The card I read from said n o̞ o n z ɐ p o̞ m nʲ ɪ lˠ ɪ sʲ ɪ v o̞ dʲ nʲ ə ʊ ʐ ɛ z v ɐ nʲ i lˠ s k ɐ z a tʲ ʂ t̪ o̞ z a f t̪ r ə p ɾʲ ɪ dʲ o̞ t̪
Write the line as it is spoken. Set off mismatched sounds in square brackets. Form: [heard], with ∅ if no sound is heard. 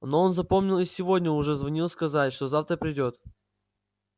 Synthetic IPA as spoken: n o̞ o n z ɐ p o̞ m nʲ ɪ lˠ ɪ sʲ ɪ v o̞ dʲ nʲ ə ʊ ʐ ɛ z v ɐ nʲ i lˠ s k ɐ z a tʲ ʂ t̪ o̞ z a f t̪ [ɾ] ə p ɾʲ ɪ dʲ o̞ t̪